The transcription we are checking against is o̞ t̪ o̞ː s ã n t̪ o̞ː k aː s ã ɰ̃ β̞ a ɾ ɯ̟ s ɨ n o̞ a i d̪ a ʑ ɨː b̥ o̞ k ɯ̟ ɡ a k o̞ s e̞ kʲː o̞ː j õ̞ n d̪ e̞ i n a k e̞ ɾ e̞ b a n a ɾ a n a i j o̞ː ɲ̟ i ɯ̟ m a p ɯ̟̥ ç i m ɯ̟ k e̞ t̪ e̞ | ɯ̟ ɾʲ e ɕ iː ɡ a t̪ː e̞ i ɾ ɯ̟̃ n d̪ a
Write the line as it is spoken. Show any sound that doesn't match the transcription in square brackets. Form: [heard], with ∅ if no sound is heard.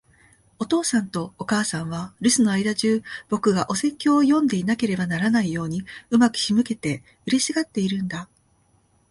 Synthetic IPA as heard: o̞ t̪ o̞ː s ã n t̪ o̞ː k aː s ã ɰ̃ β̞ a ɾ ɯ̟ s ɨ n o̞ a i d̪ a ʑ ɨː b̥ o̞ k ɯ̟ ɡ a [ʔ] o̞ s e̞ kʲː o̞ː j õ̞ n d̪ e̞ i n a k e̞ ɾ e̞ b a n a ɾ a n a i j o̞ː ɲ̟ i ɯ̟ m a [k] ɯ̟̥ ç i m ɯ̟ k e̞ t̪ e̞ | ɯ̟ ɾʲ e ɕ [i] ɡ a t̪ː e̞ i ɾ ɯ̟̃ n d̪ a